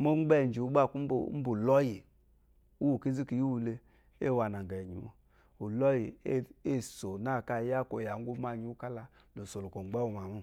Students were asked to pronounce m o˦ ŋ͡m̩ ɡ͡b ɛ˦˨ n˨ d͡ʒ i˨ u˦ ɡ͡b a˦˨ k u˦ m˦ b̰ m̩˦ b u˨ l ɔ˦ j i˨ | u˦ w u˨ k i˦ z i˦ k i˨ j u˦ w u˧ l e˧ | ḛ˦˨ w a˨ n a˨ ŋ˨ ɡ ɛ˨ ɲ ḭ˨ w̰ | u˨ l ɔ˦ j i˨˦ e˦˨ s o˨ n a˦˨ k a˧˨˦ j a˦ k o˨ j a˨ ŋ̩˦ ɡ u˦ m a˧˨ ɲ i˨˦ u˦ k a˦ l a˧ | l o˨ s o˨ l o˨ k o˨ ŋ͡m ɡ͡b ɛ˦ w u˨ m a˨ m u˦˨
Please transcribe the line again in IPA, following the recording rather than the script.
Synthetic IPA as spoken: m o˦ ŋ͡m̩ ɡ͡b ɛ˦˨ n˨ d͡ʒ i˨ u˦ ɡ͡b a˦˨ k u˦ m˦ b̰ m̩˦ b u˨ l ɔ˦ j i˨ | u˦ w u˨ k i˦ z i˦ k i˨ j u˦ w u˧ l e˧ | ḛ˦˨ w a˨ n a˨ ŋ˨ ɡ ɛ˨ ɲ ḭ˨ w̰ | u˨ l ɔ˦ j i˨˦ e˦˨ s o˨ n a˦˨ k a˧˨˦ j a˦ k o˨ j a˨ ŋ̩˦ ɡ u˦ m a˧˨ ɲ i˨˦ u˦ k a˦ l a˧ | l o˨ s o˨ l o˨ k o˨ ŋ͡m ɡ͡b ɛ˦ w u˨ m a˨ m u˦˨